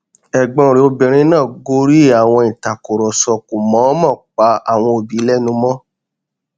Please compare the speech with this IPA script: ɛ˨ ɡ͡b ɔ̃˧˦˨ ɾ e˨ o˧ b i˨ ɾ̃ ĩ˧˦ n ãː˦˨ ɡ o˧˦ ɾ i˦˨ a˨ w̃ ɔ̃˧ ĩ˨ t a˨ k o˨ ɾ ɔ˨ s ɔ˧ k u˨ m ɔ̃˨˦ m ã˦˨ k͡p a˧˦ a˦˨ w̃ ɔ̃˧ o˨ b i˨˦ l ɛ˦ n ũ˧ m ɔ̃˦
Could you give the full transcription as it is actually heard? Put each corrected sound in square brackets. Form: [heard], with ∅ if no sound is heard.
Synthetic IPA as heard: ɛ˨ ɡ͡b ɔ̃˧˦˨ ɾ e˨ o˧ b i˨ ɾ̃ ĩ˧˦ n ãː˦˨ ɡ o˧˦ ɾ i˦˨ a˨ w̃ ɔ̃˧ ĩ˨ t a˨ k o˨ ɾ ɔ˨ s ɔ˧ k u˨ m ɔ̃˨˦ m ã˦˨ k͡p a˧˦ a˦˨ w̃ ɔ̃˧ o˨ b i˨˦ l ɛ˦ n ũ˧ m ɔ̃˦